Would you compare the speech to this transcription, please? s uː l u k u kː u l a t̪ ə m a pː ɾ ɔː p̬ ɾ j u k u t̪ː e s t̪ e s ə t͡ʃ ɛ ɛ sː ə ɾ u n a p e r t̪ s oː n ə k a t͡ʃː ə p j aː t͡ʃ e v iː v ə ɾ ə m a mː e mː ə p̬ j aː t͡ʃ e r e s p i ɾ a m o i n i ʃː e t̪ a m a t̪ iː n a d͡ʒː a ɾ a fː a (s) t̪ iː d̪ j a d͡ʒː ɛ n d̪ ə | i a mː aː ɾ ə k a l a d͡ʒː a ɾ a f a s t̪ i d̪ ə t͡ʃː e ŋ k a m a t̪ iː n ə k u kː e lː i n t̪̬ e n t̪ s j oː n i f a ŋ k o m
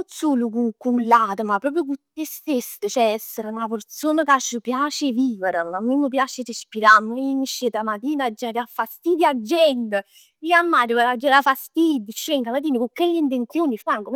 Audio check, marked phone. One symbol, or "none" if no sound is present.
s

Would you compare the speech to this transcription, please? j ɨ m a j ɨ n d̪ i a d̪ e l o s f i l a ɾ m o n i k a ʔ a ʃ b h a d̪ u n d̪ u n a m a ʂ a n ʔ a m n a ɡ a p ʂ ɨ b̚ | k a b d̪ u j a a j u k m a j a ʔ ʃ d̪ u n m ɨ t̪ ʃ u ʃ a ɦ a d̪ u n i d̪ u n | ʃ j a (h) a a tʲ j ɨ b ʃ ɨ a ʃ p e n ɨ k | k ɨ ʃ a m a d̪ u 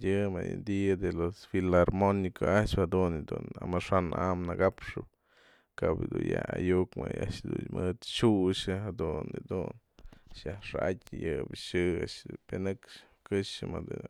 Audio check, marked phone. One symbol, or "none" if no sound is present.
ʂ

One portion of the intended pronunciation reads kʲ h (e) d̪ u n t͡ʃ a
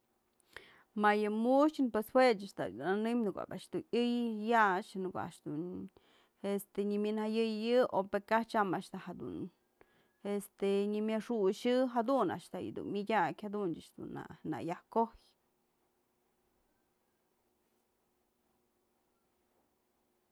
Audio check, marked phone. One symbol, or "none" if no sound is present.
a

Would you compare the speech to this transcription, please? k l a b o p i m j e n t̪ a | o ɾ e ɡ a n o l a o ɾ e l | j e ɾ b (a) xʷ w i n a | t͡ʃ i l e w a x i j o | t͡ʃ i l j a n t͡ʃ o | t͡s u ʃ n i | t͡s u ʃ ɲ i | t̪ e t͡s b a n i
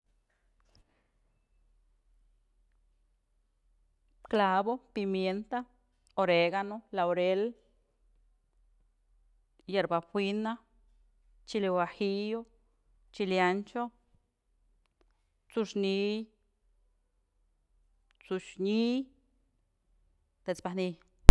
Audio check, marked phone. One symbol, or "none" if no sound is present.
a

